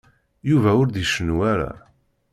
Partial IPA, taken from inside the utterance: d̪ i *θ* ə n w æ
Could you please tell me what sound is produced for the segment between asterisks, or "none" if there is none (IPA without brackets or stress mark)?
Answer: ʃ